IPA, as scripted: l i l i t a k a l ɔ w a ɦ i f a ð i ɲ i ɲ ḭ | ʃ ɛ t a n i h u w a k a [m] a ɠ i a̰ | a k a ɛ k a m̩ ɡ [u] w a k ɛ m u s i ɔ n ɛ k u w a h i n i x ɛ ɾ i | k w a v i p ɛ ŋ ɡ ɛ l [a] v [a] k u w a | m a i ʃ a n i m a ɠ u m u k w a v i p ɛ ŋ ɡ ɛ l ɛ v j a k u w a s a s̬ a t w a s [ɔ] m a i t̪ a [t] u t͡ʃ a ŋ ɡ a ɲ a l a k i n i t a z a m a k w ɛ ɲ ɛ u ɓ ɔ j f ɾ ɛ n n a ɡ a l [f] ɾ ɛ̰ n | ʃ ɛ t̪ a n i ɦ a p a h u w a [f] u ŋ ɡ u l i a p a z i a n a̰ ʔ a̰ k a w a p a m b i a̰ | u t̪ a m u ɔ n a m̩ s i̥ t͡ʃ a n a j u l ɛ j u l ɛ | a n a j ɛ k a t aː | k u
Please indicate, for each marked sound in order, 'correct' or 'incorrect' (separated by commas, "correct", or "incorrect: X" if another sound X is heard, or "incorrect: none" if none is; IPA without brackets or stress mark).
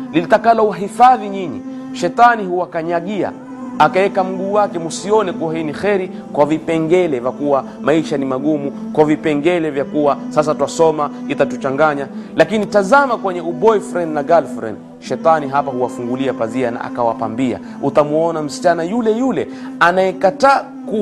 incorrect: ɲ, incorrect: uː, incorrect: ɛ, correct, correct, correct, correct, correct